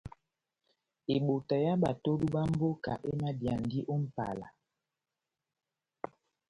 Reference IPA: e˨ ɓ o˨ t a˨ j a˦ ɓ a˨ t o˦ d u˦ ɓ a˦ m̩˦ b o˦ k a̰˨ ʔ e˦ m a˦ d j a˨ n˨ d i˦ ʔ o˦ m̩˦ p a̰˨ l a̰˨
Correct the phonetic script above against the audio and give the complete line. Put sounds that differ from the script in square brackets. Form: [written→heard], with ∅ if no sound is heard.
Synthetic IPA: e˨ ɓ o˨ t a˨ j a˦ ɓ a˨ t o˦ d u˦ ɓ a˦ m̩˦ b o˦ k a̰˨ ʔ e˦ m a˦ d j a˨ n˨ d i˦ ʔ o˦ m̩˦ p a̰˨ l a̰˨